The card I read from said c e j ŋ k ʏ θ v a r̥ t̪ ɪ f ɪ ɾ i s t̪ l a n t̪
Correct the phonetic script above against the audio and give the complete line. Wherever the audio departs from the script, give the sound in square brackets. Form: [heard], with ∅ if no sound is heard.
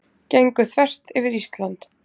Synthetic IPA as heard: c e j ŋ k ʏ θ v [ɛ] r̥ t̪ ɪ [v] ɪ ɾ i s t̪ l a n t̪

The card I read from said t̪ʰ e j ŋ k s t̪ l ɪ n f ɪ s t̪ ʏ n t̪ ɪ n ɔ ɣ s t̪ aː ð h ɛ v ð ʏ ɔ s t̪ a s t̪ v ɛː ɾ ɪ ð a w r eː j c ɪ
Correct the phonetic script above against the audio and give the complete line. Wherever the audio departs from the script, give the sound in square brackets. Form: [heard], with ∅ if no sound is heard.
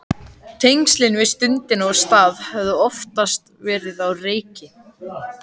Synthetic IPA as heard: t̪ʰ e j ŋ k s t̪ l ɪ n [v] ɪ s t̪ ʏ n t̪ ɪ n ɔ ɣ s t̪ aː ð h ɛ v ð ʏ ɔ [f] t̪ a s t̪ v ɛː ɾ ɪ ð a w r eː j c ɪ

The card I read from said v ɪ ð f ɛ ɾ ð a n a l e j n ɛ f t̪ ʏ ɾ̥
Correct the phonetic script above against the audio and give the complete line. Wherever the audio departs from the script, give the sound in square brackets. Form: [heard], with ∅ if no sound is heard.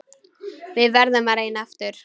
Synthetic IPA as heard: v ɪ ð [v] ɛ ɾ ð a [m] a [ɾ] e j n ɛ f t̪ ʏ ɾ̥

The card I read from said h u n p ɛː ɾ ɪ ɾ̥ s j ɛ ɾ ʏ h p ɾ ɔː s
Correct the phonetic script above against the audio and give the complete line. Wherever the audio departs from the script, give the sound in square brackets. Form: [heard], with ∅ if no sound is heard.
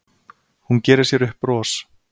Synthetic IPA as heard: h u n [c] ɛː ɾ ɪ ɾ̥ s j ɛ ɾ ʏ h p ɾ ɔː s

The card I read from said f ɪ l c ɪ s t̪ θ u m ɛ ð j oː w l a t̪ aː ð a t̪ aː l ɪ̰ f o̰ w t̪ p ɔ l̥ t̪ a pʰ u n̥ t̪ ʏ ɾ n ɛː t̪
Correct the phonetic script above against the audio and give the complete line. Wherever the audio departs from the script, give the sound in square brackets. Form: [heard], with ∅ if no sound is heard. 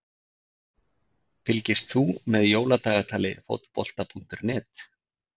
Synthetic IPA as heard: f ɪ l c ɪ s t̪ θ u m ɛ ð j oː w l a t̪ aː [ɣ] a [t̪ʰ] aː l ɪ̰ f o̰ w t̪ p ɔ l̥ t̪ a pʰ u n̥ t̪ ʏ ɾ n ɛː t̪

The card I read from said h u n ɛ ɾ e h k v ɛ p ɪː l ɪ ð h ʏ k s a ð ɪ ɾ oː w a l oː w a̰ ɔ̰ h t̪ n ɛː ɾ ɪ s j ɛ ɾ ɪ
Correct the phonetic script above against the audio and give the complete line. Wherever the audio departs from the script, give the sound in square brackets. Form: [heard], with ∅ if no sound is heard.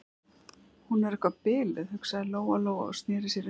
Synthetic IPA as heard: h u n ɛ ɾ [ɛ] h k v [a] p ɪː l ɪ ð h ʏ k s a ð ɪ [l] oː w a l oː w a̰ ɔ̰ [s] t̪ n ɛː ɾ ɪ s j ɛ ɾ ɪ

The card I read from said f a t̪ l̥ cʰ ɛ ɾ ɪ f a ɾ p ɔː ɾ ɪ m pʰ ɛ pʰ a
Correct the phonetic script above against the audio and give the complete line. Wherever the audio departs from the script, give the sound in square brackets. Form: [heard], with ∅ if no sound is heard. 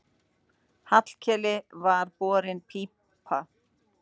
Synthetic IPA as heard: [h] a t̪ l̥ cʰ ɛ [l] ɪ [v] a ɾ p ɔː ɾ ɪ [n] pʰ [i] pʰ a

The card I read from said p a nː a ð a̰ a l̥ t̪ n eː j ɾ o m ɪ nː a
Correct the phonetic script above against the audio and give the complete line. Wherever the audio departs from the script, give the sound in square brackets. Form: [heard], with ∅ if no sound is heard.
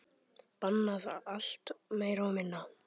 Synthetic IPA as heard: p a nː a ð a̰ a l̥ t̪ [m] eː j ɾ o m ɪ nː a

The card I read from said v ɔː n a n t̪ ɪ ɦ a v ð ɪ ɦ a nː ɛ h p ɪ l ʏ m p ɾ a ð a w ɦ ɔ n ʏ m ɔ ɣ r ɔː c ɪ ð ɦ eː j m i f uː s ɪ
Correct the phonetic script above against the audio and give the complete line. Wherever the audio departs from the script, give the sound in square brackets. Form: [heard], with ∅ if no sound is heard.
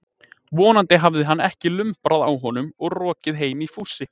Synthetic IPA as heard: v ɔː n a n t̪ ɪ ɦ a v ð ɪ ɦ a nː ɛ h [c] ɪ l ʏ m p ɾ a ð a w ɦ ɔ n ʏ m ɔ ɣ r ɔː c ɪ ð ɦ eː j m i f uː s ɪ

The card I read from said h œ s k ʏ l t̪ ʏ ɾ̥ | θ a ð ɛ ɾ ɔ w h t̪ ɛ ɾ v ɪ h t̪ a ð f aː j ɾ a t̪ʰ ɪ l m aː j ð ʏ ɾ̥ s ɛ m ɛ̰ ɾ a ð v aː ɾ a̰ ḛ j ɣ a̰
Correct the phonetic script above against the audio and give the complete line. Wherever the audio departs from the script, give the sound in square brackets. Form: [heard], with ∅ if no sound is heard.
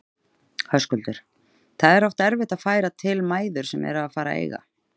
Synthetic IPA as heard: h œ s k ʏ l t̪ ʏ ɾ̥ | θ a ð ɛ ɾ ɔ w [f] t̪ ɛ ɾ v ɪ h t̪ a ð f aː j ɾ a t̪ʰ ɪ l m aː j ð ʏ ɾ̥ s ɛ m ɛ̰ ɾ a ð [f] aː ɾ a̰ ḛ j ɣ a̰

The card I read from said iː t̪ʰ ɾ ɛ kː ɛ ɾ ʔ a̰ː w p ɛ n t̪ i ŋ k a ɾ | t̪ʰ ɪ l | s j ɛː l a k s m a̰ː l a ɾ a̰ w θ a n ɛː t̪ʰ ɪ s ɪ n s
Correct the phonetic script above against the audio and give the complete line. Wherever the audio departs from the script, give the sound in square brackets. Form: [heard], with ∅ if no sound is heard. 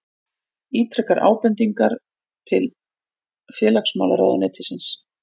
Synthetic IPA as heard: iː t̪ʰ ɾ ɛ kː [a] ɾ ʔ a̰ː w p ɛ n t̪ i ŋ k a ɾ | t̪ʰ ɪ l | [f] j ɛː l a k s m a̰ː l a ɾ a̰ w [ð] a n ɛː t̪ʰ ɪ s ɪ n s

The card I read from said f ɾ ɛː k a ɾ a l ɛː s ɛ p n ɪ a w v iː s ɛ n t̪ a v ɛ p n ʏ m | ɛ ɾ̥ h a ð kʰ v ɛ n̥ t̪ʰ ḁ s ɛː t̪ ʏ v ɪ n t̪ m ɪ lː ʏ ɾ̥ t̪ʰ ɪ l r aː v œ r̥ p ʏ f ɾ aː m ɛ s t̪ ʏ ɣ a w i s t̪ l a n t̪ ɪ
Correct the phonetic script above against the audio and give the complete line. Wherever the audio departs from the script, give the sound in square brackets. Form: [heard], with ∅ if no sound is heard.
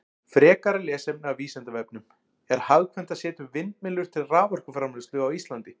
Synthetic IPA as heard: f ɾ ɛː k a ɾ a l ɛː s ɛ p n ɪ a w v iː s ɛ n t̪ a v ɛ p n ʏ m | ɛ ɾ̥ h a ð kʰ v ɛ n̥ [t̪] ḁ s ɛː t̪ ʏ v ɪ n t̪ m ɪ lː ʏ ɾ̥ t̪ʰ ɪ l r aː v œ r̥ [k] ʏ f ɾ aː m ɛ s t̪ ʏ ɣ a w i s t̪ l a n t̪ ɪ

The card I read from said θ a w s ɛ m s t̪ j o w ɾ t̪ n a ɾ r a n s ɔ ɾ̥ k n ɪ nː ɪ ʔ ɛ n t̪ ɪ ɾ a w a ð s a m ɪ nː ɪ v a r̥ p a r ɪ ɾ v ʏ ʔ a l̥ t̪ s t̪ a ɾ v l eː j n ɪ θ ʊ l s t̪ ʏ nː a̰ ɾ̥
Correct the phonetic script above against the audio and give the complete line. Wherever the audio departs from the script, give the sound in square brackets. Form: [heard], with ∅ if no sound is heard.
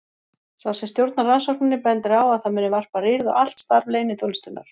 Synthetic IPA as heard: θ a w s ɛ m s t̪ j o w ɾ t̪ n a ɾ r a n s ɔ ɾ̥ k n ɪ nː ɪ [p] ɛ n t̪ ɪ ɾ a w a ð [θ] a m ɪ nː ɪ v a r̥ p a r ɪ ɾ [ð] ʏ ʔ a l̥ t̪ s t̪ a ɾ v l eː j n ɪ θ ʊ l s t̪ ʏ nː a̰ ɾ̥

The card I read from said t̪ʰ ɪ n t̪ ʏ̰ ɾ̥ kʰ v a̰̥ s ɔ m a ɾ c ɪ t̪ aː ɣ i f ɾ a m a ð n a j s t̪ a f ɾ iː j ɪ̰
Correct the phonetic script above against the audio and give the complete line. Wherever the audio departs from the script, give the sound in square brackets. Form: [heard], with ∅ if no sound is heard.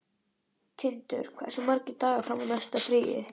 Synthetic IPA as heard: t̪ʰ ɪ n t̪ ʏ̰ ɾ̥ kʰ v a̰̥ s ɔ m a ɾ c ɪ t̪ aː ɣ [a] f ɾ a m a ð n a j s t̪ a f ɾ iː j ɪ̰

